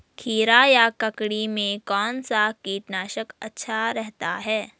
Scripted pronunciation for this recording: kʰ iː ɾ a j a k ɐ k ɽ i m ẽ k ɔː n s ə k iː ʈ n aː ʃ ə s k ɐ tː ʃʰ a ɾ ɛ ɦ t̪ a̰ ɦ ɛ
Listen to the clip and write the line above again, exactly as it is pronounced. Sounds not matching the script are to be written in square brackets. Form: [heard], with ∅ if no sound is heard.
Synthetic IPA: kʰ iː ɾ a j a k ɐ k ɽ i m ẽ k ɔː n s [a] k iː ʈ n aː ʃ ə [∅] k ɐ tː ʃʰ a ɾ ɛ ɦ t̪ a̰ ɦ [ɛː]